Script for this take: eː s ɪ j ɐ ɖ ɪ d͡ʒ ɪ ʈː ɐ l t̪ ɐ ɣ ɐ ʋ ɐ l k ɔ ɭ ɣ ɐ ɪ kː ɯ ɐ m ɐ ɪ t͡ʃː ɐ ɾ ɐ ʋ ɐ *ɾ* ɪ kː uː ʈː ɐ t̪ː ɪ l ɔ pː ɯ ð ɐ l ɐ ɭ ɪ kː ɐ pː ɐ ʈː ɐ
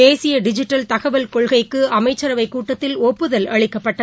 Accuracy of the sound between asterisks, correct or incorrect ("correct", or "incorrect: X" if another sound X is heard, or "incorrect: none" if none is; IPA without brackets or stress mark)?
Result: incorrect: none